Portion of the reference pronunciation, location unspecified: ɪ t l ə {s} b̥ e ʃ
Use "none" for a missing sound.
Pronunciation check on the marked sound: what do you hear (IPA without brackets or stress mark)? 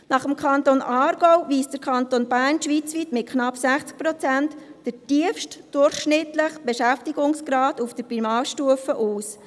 χ